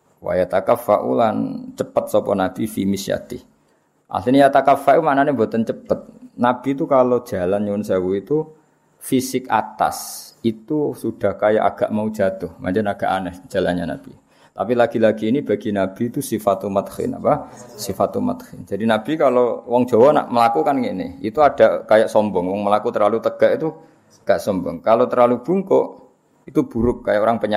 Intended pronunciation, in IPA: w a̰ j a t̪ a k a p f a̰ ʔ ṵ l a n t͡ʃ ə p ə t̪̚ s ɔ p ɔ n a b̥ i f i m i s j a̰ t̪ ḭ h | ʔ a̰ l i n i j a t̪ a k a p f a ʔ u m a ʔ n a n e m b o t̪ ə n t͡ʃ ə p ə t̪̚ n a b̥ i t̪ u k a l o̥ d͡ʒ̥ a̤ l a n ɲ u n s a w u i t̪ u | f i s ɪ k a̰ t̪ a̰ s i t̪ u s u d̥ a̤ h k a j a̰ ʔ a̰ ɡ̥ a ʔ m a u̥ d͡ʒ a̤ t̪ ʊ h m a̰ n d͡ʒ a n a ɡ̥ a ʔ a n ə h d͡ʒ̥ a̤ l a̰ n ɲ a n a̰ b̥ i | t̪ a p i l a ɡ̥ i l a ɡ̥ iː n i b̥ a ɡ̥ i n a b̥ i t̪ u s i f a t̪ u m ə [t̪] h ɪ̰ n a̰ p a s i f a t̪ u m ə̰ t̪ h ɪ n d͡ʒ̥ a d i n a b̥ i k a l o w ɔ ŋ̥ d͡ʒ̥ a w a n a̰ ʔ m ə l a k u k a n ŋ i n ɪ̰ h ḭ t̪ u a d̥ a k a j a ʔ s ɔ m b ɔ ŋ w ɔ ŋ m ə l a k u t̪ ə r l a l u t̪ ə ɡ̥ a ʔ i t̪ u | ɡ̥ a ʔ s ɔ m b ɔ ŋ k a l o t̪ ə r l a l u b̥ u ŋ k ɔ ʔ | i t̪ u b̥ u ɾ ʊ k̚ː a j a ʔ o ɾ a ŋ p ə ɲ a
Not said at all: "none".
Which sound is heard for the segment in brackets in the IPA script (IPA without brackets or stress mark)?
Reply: t̪